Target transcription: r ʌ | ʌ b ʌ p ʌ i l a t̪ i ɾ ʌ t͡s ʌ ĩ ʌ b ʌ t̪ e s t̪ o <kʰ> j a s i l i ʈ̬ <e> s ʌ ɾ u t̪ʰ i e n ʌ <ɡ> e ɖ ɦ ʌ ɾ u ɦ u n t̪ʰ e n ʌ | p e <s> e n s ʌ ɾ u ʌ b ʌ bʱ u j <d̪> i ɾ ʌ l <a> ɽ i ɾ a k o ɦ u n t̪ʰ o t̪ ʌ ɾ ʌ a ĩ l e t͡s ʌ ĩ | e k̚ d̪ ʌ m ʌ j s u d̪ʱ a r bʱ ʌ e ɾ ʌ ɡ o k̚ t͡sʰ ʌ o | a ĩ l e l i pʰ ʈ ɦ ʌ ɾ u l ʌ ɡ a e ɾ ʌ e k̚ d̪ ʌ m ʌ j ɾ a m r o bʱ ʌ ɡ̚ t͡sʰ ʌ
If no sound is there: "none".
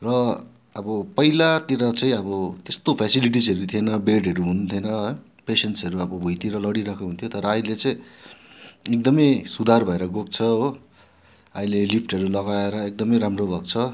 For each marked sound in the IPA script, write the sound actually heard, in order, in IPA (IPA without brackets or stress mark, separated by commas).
pʰ, i, b, s, t̪, ʌ